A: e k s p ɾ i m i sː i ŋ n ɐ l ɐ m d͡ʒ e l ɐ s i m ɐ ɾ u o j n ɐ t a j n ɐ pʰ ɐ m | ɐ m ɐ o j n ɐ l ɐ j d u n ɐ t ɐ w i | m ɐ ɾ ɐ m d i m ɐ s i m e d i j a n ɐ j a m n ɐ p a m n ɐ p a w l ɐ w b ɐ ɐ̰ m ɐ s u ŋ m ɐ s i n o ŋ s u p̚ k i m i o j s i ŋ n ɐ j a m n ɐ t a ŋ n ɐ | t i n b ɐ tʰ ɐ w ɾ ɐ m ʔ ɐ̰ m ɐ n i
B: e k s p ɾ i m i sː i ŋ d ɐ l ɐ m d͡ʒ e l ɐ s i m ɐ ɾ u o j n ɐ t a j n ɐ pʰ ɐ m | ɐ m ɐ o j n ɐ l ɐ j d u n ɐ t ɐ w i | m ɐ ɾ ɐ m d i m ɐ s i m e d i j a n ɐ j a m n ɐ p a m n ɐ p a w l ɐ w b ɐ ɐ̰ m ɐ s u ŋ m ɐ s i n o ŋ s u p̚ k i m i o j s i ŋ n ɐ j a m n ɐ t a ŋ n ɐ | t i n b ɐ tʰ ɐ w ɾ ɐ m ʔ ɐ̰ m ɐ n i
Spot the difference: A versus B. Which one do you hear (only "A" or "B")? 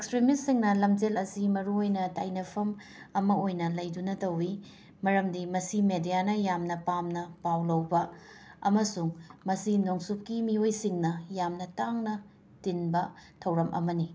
A